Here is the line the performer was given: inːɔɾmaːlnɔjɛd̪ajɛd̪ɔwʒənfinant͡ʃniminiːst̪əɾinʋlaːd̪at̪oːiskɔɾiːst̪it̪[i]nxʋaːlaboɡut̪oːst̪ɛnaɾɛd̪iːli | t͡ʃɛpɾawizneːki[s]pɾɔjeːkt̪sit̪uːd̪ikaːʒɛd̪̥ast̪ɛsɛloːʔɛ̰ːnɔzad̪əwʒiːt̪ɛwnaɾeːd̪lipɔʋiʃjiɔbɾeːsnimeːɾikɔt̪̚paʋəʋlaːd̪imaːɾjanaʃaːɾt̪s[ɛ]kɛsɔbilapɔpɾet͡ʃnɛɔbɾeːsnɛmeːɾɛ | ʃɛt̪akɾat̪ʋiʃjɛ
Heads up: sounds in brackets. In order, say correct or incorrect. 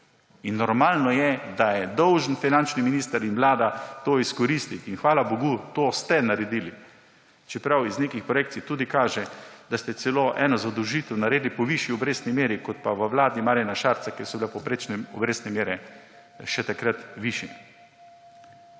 correct, incorrect: x, incorrect: a

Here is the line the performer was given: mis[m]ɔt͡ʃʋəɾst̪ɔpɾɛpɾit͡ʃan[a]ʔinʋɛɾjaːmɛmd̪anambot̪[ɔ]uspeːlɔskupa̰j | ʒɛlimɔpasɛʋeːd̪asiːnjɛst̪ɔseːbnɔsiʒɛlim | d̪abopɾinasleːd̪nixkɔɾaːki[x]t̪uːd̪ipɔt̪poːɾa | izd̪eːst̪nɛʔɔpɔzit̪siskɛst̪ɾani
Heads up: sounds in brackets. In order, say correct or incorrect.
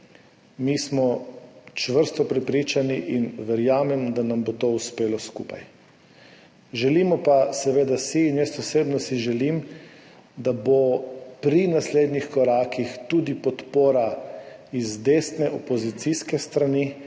correct, incorrect: i, incorrect: o, correct

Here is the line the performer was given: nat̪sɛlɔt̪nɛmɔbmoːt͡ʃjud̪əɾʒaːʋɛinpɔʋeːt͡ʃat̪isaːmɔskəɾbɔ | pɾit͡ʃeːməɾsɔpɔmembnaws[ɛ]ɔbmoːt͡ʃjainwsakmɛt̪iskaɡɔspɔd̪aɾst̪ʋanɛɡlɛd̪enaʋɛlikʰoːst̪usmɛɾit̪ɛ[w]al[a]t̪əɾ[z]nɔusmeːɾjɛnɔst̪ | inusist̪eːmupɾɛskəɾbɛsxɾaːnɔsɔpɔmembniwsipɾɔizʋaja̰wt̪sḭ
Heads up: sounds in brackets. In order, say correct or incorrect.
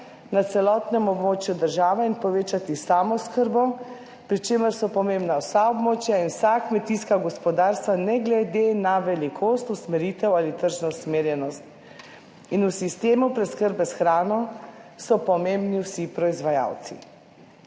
incorrect: a, correct, incorrect: i, incorrect: ʒ

